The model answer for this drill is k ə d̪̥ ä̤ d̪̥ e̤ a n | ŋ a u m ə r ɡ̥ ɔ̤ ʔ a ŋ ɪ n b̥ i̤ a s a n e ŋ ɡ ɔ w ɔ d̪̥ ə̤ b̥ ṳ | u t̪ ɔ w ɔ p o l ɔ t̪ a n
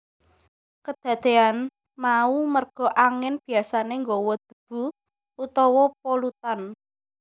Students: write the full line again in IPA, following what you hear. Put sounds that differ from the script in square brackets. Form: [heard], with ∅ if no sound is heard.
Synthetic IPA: k ə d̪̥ ä̤ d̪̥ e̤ a n | [m] a u m ə r ɡ̥ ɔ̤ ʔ a ŋ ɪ n b̥ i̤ a s a n e ŋ ɡ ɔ w ɔ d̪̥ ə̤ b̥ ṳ | u t̪ ɔ w ɔ p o l [u] t̪ a n